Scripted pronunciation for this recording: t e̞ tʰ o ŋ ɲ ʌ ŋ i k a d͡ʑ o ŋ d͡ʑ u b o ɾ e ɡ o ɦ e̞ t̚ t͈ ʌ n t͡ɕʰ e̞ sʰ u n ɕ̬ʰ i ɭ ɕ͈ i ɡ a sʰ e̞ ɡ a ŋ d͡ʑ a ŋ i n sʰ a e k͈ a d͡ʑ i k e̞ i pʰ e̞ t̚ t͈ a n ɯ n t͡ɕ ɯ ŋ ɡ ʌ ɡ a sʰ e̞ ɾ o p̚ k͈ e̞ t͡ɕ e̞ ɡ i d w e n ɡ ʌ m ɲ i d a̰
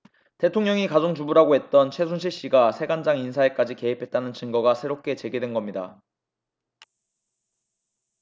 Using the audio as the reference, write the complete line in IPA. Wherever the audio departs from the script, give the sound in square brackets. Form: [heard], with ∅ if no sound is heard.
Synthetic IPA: t e̞ tʰ o ŋ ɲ ʌ ŋ i k a d͡ʑ o ŋ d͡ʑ u b [u] ɾ [a] ɡ o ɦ e̞ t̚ t͈ ʌ n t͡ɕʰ e̞ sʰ u n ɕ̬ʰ i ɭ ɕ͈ i ɡ a sʰ e̞ ɡ a [n] d͡ʑ a ŋ i n sʰ a e k͈ a d͡ʑ i k e̞ i pʰ e̞ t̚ t͈ a n ɯ n t͡ɕ ɯ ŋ ɡ ʌ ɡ a sʰ e̞ ɾ o p̚ k͈ e̞ t͡ɕ e̞ ɡ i d w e n ɡ ʌ m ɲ i d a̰